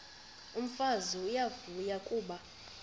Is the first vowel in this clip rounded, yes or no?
yes